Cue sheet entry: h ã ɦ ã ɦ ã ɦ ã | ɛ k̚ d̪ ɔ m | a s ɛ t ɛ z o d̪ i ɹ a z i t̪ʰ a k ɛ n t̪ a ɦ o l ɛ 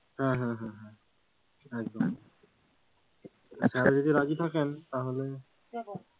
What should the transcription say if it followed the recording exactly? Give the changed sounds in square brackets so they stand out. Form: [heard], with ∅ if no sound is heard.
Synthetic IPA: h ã ɦ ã ɦ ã ɦ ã | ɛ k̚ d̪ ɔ m | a s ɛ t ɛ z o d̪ i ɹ a z i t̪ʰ a k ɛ n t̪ a ɦ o l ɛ